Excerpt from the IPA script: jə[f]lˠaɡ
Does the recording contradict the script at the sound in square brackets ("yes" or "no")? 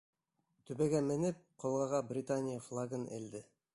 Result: no